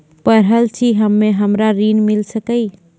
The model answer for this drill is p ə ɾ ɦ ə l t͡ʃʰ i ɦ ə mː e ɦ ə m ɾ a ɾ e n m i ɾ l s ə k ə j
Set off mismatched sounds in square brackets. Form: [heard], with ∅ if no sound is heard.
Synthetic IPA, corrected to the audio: p ə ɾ ɦ ə l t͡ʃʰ i ɦ ə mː e ɦ ə m ɾ a ɾ [i] n m i [∅] l s ə k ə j